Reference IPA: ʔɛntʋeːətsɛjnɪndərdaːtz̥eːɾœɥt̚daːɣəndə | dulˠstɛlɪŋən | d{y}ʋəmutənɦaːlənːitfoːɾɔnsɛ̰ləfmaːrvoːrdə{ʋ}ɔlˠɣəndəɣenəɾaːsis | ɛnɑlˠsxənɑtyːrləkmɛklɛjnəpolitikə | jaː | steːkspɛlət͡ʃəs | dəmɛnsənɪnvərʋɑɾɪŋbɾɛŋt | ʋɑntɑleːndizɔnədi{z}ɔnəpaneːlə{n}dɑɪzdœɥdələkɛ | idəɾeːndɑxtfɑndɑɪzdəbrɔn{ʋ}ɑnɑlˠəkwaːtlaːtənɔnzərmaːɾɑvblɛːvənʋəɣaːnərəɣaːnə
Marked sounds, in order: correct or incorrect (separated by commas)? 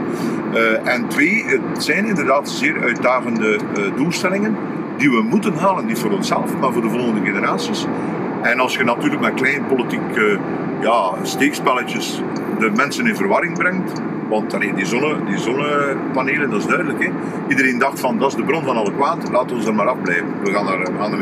incorrect, incorrect, correct, correct, incorrect